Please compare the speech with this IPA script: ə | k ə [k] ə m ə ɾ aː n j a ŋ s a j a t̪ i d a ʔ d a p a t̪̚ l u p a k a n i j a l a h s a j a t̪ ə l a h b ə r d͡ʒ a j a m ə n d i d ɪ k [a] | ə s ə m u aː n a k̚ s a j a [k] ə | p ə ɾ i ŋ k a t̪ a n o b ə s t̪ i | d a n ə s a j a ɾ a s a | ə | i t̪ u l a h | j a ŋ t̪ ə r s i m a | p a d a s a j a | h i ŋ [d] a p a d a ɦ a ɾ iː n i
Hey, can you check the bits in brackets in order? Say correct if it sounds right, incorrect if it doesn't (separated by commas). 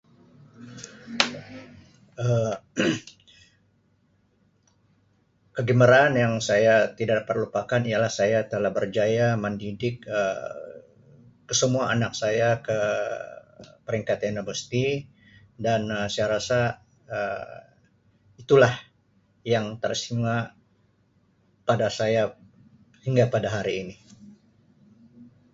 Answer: incorrect, incorrect, correct, incorrect